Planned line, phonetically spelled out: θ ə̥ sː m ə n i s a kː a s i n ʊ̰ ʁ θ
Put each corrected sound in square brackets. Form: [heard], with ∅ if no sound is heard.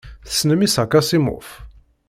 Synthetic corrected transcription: θ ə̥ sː [n] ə [m] i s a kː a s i [m] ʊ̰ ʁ [f]